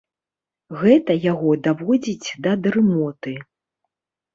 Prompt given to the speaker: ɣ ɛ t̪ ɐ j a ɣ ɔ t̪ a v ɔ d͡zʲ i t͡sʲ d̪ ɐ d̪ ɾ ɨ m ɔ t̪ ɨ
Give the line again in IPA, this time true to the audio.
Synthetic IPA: ɣ ɛ t̪ ɐ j a ɣ ɔ d̪ a v ɔ d͡zʲ i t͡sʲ d̪ ɐ d̪ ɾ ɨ m ɔ t̪ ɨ